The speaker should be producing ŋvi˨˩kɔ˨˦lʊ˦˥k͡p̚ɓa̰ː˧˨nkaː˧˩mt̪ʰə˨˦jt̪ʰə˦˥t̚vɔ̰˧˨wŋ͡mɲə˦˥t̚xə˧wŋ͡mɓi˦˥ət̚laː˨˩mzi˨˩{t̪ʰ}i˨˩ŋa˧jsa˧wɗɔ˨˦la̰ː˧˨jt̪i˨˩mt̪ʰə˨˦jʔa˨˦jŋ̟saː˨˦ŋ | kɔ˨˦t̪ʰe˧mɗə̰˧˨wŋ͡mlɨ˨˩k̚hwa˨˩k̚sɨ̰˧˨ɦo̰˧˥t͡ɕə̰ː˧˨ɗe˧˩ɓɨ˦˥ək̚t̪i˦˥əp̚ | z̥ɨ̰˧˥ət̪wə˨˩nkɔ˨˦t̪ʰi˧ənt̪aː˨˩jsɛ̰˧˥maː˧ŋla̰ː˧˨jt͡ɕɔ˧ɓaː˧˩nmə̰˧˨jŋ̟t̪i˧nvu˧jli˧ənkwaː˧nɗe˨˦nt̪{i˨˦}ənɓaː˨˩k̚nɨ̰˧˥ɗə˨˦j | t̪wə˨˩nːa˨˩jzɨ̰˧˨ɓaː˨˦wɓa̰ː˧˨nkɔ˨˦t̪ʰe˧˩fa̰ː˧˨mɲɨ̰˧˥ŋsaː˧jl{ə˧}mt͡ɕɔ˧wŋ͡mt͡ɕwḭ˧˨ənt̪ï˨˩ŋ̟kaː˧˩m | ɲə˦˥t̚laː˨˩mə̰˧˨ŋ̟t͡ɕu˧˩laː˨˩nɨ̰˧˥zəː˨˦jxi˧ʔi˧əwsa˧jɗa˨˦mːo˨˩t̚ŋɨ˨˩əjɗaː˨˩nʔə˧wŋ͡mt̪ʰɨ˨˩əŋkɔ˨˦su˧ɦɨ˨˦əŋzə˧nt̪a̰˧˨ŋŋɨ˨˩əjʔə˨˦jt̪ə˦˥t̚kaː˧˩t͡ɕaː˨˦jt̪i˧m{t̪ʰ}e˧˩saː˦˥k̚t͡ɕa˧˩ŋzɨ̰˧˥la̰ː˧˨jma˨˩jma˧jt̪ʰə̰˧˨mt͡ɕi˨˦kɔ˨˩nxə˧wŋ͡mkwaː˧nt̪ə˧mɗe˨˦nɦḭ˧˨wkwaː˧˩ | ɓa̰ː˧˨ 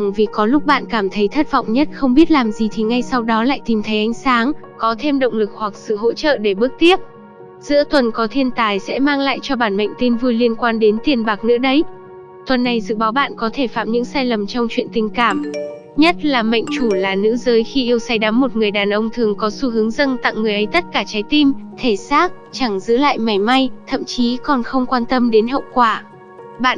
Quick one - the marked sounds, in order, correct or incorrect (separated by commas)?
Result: correct, incorrect, incorrect, correct